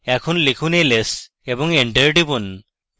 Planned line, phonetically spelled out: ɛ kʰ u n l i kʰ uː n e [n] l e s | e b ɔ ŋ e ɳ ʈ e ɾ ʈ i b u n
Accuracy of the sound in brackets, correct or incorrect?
incorrect